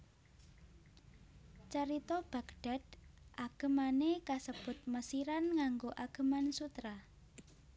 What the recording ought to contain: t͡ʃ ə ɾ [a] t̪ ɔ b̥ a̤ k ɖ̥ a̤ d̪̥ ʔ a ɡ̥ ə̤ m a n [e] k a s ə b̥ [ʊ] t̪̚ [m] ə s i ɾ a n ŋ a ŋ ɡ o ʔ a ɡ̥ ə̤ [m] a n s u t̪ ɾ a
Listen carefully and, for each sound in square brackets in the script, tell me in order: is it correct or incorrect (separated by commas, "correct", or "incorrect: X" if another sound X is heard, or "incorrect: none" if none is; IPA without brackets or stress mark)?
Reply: incorrect: i, correct, correct, correct, correct